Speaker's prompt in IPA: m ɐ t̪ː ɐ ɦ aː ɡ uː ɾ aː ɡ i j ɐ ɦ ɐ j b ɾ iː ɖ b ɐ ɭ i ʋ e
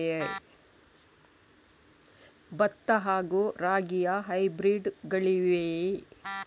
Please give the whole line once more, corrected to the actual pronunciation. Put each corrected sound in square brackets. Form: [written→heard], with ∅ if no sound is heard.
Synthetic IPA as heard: [m→b] ɐ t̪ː ɐ ɦ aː ɡ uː ɾ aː ɡ i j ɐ ɦ ɐ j b ɾ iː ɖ [b→ɡ] ɐ ɭ i ʋ e